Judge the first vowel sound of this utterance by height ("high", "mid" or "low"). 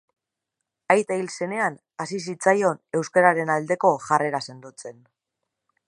low